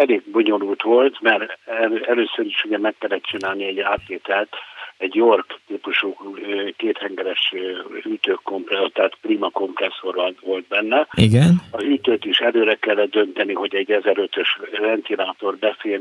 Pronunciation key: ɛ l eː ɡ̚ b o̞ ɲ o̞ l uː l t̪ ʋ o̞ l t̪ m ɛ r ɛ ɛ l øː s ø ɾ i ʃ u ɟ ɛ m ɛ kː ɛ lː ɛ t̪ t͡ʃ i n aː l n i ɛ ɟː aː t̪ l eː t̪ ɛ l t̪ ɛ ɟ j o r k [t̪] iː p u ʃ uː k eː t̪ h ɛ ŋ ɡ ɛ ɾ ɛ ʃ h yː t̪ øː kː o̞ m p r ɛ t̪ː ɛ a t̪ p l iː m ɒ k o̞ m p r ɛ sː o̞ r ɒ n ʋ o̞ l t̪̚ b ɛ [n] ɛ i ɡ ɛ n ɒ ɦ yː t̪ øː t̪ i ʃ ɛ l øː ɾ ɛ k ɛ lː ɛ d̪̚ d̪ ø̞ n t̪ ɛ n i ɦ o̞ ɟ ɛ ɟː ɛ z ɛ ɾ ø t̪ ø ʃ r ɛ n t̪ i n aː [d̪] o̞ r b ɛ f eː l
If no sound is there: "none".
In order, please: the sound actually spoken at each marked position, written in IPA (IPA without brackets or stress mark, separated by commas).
t̪, nː, t̪